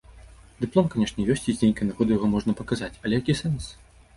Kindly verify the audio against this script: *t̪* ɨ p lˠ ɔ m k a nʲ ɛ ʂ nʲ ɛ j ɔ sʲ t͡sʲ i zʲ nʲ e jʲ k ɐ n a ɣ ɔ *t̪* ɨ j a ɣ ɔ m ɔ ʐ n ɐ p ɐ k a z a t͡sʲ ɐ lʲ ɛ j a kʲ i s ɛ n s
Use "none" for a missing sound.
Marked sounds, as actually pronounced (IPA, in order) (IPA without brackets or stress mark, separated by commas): d̪, d̪